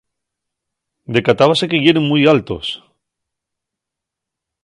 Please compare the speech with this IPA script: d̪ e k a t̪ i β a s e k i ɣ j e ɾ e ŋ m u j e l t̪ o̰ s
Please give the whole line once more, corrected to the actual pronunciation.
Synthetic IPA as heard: d̪ e k a t̪ a β a s e k e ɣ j e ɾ e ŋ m u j a l t̪ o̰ s